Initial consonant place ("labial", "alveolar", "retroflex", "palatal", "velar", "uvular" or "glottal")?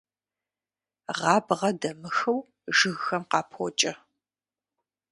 uvular